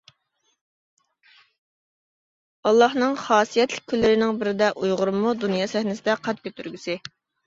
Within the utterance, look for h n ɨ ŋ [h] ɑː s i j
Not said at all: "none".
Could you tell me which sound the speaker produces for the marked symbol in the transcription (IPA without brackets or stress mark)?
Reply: χ